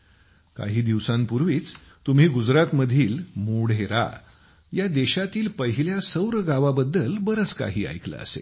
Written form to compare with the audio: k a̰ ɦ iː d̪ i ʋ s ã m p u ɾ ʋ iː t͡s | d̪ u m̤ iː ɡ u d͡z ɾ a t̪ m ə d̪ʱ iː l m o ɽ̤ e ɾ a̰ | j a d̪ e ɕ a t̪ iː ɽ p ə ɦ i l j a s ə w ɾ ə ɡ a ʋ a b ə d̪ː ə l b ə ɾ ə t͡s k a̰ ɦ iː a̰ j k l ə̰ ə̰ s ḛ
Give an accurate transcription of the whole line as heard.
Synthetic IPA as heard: k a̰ ɦ iː d̪ i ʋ s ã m p u ɾ ʋ iː t͡s | t̪ u m̤ iː ɡ u d͡z ɾ a t̪ m ə d̪ʱ iː l m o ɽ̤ e ɾ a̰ | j a d̪ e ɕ a t̪ iː l p ə ɦ i l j a s ə w ɾ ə ɡ a ʋ a b ə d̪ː ə l b ə ɾ ə t͡s k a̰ ɦ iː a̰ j k l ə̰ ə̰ s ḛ